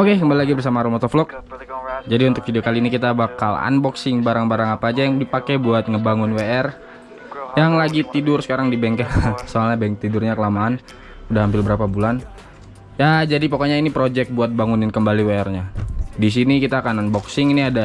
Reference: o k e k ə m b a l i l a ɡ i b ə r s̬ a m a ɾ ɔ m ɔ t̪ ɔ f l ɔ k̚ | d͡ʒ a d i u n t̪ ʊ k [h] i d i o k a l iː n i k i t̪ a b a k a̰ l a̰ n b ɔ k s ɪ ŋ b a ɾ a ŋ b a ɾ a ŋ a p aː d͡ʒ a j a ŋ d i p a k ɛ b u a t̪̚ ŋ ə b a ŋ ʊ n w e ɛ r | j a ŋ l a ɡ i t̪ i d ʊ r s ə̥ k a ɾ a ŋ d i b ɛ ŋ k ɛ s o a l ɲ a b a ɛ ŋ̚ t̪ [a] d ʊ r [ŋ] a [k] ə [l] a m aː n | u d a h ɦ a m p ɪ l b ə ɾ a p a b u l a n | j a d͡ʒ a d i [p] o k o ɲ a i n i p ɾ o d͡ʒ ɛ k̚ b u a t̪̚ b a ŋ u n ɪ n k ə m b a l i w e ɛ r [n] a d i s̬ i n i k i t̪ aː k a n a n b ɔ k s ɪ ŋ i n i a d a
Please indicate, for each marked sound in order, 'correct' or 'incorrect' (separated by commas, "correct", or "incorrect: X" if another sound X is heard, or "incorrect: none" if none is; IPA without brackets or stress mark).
incorrect: f, incorrect: i, incorrect: ɲ, correct, correct, correct, incorrect: ɲ